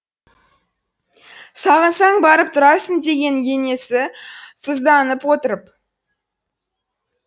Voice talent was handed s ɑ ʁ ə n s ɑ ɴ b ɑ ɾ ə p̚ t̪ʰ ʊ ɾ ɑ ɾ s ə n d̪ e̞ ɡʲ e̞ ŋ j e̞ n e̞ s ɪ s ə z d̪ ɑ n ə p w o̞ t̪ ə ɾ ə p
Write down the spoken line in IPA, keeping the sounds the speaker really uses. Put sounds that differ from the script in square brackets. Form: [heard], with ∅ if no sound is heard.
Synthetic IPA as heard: s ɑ ʁ ə n s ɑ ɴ b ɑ ɾ ə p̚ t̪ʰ ʊ ɾ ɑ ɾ s ə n d̪ e̞ ɡʲ e̞ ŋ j e̞ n e̞ s ɪ s ə z d̪ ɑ n ə p w o̞ t̪ ə ɾ ə p